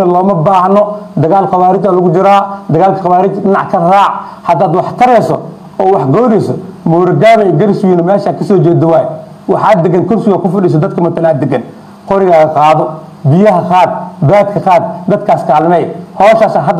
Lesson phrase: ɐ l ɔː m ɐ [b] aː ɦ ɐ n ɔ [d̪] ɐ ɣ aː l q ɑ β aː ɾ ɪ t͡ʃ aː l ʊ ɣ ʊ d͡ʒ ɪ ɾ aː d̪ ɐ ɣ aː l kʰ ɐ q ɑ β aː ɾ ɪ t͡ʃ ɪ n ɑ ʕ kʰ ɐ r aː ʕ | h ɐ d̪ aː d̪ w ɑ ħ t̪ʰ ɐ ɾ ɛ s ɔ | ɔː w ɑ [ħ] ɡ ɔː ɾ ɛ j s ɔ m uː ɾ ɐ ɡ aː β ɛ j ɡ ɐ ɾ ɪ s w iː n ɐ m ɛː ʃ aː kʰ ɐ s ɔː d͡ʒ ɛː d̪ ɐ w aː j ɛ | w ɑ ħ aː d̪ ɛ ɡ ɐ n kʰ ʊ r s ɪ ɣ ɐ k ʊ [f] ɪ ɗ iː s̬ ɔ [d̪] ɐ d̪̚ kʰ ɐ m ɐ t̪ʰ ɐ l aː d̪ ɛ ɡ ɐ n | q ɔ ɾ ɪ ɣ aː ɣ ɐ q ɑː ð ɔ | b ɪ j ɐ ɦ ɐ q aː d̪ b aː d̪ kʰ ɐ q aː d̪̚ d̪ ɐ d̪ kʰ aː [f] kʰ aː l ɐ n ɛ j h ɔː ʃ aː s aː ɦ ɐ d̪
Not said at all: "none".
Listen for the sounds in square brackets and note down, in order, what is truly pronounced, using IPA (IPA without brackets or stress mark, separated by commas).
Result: b, d̪, ħ, f, d̪, s